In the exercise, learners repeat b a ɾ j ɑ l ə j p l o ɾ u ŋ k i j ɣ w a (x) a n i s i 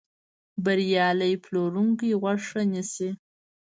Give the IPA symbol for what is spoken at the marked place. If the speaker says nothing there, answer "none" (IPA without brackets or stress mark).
ʂ